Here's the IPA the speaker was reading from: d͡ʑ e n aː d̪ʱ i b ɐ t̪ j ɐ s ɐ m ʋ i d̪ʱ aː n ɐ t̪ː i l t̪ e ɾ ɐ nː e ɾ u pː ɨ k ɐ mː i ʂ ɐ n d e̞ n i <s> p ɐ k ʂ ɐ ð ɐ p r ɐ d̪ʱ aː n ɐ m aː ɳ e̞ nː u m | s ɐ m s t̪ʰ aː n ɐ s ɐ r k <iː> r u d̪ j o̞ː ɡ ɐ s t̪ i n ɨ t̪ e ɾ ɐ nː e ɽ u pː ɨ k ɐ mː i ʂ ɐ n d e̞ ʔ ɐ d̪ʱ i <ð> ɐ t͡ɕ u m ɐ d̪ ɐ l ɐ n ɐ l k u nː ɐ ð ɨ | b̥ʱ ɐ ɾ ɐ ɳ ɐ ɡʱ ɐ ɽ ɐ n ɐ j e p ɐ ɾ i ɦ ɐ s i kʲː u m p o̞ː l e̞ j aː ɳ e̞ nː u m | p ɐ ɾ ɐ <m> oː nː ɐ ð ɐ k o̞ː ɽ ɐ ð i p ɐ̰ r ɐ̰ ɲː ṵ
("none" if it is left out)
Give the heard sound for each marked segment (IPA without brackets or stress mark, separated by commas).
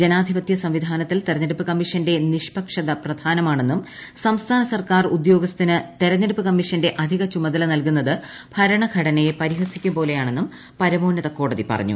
ʂ, aː, ɣ, m